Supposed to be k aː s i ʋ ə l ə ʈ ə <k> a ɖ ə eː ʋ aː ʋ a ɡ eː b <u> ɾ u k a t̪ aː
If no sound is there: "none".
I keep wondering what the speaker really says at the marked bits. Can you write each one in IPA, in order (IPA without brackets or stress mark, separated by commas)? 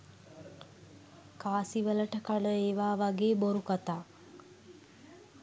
k, o